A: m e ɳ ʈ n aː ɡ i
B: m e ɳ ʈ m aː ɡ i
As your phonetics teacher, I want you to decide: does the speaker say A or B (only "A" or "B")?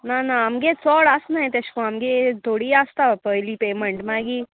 B